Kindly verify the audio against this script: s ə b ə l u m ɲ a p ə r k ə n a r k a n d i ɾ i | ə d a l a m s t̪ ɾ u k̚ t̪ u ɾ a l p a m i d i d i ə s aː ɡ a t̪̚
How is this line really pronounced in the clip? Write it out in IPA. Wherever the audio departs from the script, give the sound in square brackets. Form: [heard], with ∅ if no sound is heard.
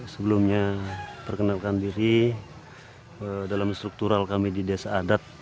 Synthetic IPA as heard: s ə b ə l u m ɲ a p ə r k ə n a [l] k a n d i ɾ i | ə d a l a m s t̪ ɾ u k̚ t̪ u ɾ a l [k] a m i d i d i [a] s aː [d] a t̪̚